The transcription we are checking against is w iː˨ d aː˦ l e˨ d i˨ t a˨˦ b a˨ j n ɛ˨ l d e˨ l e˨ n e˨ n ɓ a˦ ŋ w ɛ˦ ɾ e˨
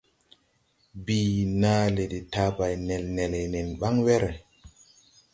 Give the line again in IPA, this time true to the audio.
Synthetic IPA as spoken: b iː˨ n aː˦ l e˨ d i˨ t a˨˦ b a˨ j n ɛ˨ l n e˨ l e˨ n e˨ n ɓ a˦ ŋ w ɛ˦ ɾ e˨